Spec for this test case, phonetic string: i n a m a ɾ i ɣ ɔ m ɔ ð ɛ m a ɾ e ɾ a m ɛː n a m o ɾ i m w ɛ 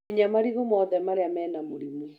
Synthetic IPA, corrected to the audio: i ɲ a m a ɾ i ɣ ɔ m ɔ ð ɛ m a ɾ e a m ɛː n a m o ɾ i m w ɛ

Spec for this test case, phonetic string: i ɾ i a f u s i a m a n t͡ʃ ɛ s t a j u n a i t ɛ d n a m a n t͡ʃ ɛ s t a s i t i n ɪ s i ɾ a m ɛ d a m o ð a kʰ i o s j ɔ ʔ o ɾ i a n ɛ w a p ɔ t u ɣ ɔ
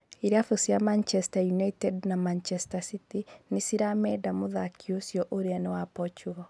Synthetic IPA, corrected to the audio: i ɾ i a f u s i a m a n t͡ʃ ɛ s t a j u n a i t ɛ d n a m a n t͡ʃ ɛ s t a s i t i n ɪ s i ɾ a m ɛ d a m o ð a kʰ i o s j ɔ ʔ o ɾ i a n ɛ w a p ɔ t͡ʃ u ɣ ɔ

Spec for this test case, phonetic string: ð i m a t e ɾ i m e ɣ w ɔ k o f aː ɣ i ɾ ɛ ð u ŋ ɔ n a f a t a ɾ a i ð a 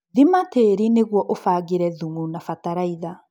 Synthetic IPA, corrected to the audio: ð i m a t e ɾ i n e ɣ w ɔ ʔ o f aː ɣ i ɾ ɛ ð u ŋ u n a f a t a ɾ a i ð a

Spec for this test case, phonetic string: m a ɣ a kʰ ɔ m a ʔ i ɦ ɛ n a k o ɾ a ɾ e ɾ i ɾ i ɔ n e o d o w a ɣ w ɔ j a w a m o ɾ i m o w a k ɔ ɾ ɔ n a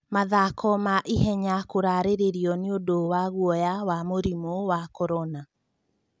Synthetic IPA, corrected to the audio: m a ð a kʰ ɔ m a ʔ i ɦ ɛ ɲ a k o ɾ a ɾ e ɾ e ɾ i ɔ n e o d o w a ɣ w ɔ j a w a m o ɾ i m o w a k ɔ ɾ ɔ n a

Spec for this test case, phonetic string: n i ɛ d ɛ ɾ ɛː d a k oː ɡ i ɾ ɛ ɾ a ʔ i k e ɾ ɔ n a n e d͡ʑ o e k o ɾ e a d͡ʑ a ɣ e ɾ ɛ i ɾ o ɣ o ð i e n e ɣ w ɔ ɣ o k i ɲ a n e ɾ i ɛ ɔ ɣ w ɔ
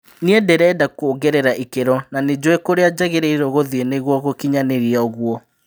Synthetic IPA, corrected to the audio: n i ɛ d ɛ ɾ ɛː d a k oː ɡ ɛ ɾ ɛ ɾ a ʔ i k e ɾ ɔ n a n e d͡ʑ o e k o ɾ e a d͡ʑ a ɣ e ɾ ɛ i ɾ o ɣ o ð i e n e ɣ w ɔ ɣ o k i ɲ a n e ɾ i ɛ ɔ ɣ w ɔ

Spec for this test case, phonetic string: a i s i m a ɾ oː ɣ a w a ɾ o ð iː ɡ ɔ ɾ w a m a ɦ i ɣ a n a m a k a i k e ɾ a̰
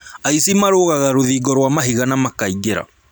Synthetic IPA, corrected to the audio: a i s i m a ɾ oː ɣ a ɣ a ɾ o ð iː ɡ ɔ ɾ w a m a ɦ i ɣ a n a m a k a i ɡ e ɾ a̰

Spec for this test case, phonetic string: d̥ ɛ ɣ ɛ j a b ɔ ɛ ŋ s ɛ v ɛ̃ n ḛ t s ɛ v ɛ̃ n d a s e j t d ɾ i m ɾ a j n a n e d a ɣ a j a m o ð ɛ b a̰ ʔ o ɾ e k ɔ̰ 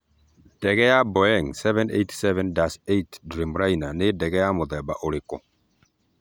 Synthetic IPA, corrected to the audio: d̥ ɛ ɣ ɛ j a b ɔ ɛ ŋ s ɛ v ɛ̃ n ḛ t s ɛ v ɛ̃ n d a s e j t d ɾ i m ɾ a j n a n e d ɛ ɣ ɛ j a m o ð ɛ b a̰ ʔ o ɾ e k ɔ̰

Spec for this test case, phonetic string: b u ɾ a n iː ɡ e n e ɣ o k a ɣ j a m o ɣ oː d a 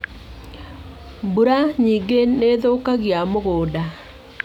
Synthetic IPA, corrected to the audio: b u ɾ a ɲ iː ɡ e n e ð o k a ɣ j a m o ɣ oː d a

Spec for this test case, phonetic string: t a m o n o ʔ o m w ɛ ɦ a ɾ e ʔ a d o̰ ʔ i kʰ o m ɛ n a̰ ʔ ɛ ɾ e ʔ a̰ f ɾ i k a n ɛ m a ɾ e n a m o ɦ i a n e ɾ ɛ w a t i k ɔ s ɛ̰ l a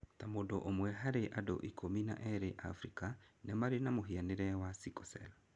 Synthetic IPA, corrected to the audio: t a m o d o ʔ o m w ɛ ɦ a ɾ e ʔ a d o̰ ʔ i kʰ o m i n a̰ ʔ ɛ ɾ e ʔ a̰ f ɾ i k a n ɛ m a ɾ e n a m o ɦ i a n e ɾ ɛ w a s i k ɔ s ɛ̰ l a

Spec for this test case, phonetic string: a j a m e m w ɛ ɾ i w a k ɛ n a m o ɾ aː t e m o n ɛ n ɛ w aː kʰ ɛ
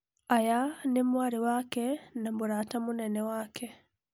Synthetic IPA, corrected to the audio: a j a n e m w a ɾ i w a k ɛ n a m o ɾ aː t a m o n ɛ n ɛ w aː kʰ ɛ

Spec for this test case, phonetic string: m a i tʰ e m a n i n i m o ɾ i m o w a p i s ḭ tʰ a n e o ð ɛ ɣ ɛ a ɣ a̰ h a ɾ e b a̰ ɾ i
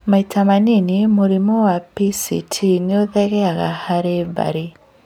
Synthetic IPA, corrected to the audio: m a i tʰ a m a n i n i m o ɾ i m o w a p i s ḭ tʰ i n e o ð ɛ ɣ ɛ a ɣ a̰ h a ɾ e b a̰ ɾ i

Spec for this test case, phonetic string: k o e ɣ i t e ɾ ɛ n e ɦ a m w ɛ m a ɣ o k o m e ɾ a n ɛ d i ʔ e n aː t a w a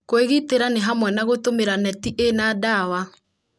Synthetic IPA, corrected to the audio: k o e ɣ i t e ɾ a n e ɦ a m w ɛ n a ɣ o t o m e ɾ a n ɛ t i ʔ e n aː d a w a

